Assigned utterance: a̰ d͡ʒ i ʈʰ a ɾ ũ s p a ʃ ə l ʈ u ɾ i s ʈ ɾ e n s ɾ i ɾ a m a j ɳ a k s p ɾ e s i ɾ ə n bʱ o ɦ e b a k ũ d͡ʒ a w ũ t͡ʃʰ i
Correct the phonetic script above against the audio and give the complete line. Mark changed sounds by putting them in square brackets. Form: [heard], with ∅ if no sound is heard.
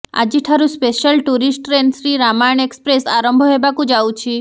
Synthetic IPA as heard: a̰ d͡ʒ i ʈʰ a ɾ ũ s p [e] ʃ ə l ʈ u ɾ i s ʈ ɾ e n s ɾ i ɾ a m a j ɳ [e] k s p ɾ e s [a] ɾ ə [m] bʱ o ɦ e b a k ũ d͡ʒ a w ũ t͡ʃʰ i